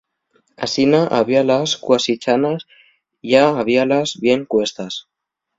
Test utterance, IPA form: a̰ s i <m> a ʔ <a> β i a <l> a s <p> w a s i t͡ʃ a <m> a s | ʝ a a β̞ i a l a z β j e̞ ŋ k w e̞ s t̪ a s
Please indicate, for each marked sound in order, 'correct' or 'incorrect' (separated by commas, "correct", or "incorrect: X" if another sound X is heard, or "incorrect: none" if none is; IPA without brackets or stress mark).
incorrect: n, correct, correct, incorrect: k, incorrect: n